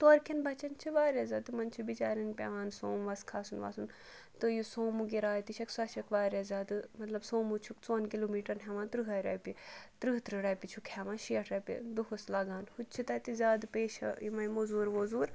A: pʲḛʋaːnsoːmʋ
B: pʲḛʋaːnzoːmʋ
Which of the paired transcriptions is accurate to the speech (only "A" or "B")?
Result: A